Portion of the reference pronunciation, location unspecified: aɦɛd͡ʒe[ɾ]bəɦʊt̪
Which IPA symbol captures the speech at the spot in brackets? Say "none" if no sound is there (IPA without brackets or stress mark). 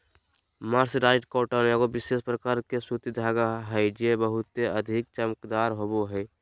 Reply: none